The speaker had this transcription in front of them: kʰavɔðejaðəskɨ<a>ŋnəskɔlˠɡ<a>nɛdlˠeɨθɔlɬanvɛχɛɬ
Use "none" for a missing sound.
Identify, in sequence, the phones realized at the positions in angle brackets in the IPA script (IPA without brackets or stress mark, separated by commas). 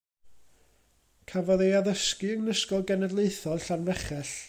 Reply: ə, ɛ